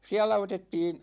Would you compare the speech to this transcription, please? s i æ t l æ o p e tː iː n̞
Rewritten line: s i æ l æ o t e tː iː n̞